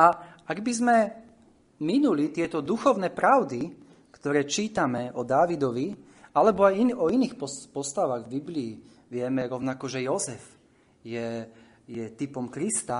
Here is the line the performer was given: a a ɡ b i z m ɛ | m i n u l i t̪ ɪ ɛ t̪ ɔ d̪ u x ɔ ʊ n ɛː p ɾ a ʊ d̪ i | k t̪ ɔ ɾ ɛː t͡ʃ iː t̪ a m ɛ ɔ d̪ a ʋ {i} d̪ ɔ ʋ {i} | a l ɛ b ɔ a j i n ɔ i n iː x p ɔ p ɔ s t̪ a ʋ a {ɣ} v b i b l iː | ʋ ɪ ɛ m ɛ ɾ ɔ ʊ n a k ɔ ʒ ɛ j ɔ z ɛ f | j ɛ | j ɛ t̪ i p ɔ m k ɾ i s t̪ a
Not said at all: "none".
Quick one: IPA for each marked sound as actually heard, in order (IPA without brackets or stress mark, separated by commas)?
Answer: i, i, ɣ